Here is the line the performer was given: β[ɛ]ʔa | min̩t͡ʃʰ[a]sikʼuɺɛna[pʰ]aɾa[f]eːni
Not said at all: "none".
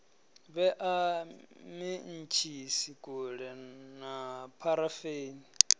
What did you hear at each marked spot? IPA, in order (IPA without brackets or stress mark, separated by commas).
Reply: ɛ, i, pʰ, f